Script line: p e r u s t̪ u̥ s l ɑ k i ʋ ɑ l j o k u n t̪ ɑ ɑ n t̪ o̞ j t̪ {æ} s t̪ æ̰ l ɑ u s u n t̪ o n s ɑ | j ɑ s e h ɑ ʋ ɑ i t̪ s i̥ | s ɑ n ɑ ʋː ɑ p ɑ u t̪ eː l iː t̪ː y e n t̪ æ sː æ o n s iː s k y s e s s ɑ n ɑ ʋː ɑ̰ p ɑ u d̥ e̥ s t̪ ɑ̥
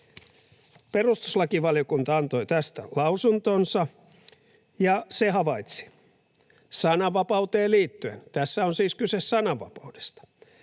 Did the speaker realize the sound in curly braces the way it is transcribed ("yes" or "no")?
yes